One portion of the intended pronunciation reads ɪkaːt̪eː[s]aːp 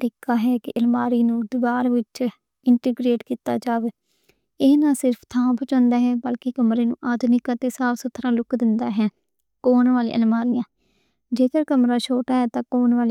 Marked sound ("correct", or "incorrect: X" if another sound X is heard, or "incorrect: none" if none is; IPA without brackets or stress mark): correct